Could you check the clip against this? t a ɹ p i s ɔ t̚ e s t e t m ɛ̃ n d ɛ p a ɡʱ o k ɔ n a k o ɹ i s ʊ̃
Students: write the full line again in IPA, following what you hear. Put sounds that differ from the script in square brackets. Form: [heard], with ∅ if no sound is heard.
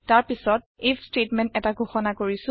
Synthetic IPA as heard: t a ɹ p i s ɔ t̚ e s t e t m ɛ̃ n [t] ɛ [t] a ɡʱ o [x] ɔ n a k o ɹ i s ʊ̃